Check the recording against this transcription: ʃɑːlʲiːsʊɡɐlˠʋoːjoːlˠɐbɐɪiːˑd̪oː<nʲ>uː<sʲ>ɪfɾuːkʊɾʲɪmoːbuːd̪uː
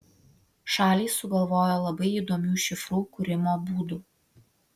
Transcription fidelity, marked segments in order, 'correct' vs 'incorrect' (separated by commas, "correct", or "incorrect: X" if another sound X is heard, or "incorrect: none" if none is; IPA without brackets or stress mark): incorrect: mʲ, incorrect: ʃʲ